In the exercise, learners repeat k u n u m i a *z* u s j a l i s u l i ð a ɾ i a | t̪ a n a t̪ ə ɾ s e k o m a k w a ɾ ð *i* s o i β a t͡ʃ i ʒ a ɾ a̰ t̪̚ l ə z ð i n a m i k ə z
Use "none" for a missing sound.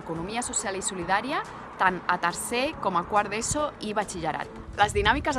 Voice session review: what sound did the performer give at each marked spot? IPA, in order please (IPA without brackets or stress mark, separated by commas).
s, e